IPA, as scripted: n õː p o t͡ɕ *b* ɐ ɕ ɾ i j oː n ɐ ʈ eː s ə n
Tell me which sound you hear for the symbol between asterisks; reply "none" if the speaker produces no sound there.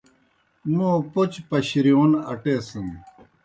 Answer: p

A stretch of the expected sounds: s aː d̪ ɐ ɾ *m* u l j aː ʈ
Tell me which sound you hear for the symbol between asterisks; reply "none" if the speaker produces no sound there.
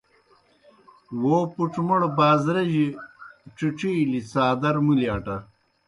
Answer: m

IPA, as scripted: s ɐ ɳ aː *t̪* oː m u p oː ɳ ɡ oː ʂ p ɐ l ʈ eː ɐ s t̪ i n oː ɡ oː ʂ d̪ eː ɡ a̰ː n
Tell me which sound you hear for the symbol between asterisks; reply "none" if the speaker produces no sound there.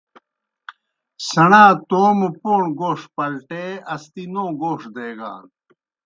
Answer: t̪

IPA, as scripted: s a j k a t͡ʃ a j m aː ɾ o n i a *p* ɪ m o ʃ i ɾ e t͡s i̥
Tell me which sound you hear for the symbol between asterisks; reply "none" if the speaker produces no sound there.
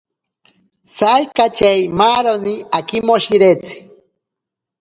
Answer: k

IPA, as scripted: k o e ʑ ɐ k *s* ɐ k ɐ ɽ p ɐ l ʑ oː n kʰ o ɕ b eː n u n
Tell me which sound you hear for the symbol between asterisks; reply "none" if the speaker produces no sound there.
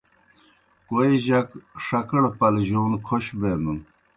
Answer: ʂ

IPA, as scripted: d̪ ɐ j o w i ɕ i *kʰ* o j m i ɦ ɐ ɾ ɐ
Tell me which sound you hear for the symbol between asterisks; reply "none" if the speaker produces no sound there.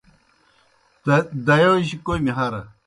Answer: k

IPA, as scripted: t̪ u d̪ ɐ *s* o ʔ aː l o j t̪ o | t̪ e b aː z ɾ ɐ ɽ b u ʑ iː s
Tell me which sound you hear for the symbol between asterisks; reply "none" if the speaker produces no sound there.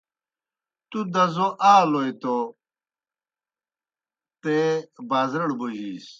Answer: z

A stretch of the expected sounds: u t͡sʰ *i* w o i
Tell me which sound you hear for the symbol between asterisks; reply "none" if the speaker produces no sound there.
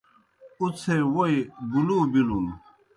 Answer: e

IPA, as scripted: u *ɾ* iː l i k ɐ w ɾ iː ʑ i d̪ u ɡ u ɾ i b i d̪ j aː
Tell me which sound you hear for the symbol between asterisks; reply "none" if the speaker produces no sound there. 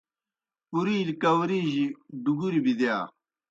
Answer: ɾ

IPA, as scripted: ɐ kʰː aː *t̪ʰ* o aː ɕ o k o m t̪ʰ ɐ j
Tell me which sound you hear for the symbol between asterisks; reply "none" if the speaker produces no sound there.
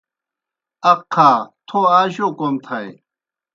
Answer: t̪ʰ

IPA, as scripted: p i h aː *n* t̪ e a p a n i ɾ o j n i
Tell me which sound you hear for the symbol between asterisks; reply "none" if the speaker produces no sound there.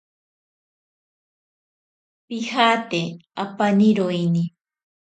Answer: none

